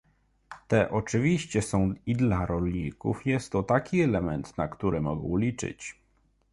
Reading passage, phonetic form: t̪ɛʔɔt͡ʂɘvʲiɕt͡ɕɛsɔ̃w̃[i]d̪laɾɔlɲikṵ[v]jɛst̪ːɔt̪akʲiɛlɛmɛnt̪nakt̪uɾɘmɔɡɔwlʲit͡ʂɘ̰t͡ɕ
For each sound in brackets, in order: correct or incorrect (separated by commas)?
correct, incorrect